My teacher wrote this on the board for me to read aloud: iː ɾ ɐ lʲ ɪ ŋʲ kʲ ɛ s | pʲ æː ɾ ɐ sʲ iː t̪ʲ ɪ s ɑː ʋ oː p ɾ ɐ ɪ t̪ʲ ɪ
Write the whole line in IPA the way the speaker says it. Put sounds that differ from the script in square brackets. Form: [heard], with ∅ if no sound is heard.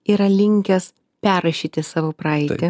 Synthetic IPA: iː ɾ ɐ lʲ ɪ ŋʲ kʲ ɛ s | pʲ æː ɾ ɐ [ʃʲ] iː t̪ʲ ɪ s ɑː ʋ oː p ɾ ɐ ɪ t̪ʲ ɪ